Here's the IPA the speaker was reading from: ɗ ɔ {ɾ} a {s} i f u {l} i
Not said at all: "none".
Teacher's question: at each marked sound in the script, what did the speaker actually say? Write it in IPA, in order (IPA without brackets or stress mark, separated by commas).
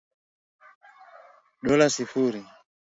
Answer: l, s, ɾ